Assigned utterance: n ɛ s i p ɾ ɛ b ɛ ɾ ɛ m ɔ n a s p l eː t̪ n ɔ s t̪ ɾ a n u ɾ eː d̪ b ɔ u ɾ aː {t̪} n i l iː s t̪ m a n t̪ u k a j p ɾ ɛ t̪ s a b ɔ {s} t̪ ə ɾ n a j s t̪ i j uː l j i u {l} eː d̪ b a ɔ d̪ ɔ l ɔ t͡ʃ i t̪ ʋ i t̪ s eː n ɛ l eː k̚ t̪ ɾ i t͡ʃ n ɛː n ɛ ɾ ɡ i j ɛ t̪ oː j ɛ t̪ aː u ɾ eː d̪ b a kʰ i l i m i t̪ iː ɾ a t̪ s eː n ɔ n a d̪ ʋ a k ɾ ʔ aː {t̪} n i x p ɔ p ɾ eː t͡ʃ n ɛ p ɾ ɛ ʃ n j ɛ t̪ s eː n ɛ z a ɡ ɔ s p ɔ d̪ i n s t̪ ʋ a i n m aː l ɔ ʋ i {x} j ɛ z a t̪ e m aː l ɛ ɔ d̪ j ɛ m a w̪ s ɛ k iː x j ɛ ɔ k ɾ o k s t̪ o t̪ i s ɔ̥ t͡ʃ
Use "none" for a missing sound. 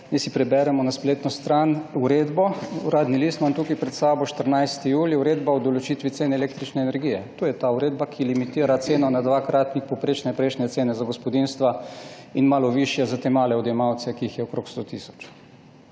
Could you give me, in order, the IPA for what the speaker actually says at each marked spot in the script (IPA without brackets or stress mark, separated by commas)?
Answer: d̪, ʃ, ɾ, t̪, ʃ